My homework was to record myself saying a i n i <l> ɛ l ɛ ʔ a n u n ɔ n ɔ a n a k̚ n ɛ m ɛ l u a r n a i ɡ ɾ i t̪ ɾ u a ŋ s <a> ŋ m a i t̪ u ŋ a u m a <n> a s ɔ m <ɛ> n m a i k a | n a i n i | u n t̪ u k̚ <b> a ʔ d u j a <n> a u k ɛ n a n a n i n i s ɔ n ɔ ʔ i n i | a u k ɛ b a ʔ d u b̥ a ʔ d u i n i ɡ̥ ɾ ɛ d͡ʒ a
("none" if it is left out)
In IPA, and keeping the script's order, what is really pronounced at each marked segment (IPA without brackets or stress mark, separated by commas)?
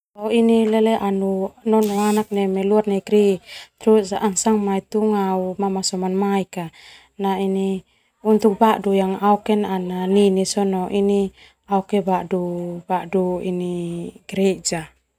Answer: l, a, m, a, b, ŋ